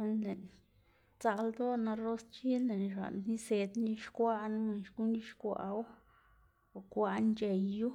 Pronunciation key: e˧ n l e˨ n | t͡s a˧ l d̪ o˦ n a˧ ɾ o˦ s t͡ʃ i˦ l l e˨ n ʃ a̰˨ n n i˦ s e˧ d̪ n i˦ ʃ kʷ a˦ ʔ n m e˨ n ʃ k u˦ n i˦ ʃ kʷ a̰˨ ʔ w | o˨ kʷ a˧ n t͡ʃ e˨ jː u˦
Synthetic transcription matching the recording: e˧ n l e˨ n | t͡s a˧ l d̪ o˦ n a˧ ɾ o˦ s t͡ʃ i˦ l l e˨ n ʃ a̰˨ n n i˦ s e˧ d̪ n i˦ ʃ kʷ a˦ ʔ n m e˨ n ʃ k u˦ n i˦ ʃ kʷ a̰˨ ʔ w | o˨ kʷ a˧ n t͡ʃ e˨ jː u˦